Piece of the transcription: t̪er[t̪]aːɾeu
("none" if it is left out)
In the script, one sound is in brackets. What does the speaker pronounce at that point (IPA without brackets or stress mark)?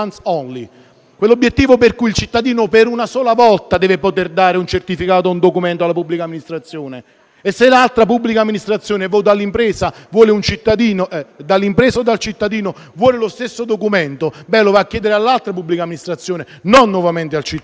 d̪